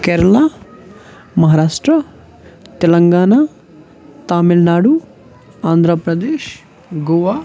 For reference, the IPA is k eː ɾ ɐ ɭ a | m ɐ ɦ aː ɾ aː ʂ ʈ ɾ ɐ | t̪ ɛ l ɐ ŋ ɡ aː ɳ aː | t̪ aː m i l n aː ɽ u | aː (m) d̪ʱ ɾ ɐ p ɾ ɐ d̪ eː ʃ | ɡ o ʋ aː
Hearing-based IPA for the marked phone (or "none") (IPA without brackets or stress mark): n